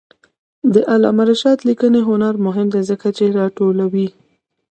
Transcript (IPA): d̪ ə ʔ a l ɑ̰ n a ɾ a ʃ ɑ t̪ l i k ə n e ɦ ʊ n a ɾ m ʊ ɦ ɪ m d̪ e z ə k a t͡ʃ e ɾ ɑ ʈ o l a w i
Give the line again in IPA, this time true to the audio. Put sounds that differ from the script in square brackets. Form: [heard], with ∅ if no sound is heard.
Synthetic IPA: d̪ ə ʔ a l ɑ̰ [m] a ɾ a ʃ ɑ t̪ l i k ə n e ɦ ʊ n a ɾ m ʊ ɦ ɪ m d̪ e z ə k a t͡ʃ e ɾ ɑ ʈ o l a w i